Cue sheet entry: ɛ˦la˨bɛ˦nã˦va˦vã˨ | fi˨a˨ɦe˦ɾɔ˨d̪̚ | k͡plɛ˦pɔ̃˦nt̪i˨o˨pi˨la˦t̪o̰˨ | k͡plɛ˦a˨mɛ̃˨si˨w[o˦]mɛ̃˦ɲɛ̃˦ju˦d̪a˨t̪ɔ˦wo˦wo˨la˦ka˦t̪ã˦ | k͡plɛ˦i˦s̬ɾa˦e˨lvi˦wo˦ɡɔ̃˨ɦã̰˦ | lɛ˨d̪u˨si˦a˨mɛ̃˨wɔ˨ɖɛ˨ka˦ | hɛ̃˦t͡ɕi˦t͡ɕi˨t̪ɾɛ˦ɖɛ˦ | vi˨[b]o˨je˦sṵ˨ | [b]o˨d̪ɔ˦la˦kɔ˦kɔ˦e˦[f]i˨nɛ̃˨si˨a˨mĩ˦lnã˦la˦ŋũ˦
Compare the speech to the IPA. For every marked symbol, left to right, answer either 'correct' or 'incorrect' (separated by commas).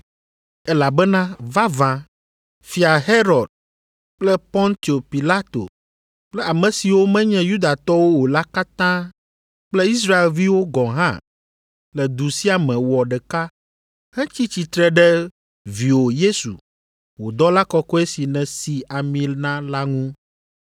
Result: correct, incorrect, incorrect, incorrect